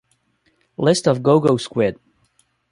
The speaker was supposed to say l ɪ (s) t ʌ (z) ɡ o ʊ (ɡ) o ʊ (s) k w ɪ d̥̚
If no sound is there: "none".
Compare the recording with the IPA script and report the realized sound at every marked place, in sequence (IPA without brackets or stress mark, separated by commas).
s, v, ɡ, s